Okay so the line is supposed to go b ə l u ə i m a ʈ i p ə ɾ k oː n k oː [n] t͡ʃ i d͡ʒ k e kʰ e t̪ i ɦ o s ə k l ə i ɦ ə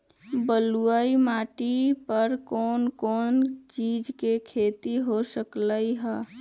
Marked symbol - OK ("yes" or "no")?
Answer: yes